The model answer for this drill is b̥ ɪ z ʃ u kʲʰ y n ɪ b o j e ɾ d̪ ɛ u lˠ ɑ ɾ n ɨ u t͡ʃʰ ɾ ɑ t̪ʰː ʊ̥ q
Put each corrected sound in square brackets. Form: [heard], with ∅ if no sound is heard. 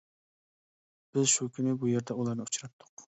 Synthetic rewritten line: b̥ ɪ z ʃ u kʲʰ y n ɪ b [u] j e ɾ d̪ ɛ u lˠ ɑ ɾ n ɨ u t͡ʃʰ ɾ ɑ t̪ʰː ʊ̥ q